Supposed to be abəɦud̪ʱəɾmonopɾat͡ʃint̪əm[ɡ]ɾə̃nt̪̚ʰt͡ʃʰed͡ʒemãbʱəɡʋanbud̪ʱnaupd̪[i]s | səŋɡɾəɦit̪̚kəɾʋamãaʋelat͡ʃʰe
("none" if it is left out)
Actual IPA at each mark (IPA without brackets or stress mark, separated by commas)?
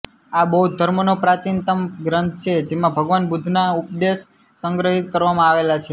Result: ɡ, e